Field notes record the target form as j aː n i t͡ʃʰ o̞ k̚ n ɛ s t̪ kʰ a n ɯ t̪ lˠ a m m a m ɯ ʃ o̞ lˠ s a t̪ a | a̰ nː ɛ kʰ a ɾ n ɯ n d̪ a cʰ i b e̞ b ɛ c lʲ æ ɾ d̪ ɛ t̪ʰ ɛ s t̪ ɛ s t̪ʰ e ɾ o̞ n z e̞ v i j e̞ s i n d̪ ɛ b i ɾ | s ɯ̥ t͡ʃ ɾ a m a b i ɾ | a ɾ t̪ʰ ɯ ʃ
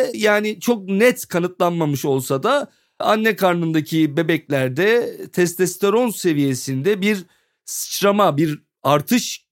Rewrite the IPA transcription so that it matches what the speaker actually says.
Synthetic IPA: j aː n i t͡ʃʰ o̞ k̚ n ɛ t̪ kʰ a n ɯ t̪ lˠ a n m a m ɯ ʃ o̞ lˠ s a d̪ a | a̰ nː ɛ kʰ a ɾ n ɯ n d̪ a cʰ i b e̞ b ɛ c lʲ æ ɾ d̪ ɛ t̪ʰ ɛ s t̪ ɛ s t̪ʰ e ɾ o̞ n s e̞ v i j e̞ s i n d̪ ɛ b i ɾ | s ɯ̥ t͡ʃ ɾ a m a b i ɾ | a ɾ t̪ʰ ɯ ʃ